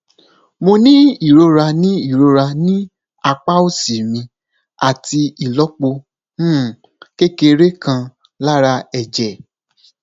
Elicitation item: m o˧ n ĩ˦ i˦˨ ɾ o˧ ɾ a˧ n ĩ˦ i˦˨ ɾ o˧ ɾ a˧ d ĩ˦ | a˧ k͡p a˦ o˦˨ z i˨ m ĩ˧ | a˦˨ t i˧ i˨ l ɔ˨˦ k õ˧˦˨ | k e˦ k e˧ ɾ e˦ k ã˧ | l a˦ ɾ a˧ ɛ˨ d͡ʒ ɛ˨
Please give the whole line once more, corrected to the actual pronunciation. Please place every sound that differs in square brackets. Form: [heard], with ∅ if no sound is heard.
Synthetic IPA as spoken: m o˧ n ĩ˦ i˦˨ ɾ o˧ ɾ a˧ n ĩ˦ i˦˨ ɾ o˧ ɾ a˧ [n] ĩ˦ | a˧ k͡p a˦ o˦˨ [s] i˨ m ĩ˧ | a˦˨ t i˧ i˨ l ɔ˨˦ [k͡p] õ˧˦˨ | k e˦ k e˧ ɾ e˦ k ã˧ | l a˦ ɾ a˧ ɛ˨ d͡ʒ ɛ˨